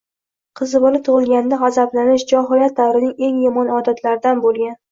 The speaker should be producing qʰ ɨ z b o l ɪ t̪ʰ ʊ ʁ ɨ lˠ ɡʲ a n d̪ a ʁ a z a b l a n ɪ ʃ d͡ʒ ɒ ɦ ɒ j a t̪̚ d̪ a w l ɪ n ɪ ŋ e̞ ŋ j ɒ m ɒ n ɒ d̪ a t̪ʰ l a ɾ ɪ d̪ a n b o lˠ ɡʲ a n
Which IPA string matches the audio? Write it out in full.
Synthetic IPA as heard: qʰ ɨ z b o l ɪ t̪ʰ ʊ ʁ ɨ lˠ ɡʲ a n d̪ a ʁ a z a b l a n ɪ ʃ d͡ʒ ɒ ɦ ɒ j a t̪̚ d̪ a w ɾ ɪ n ɪ ŋ e̞ ŋ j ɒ m ɒ n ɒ d̪ a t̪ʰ l a ɾ ɪ d̪ a n b o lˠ ɡʲ a n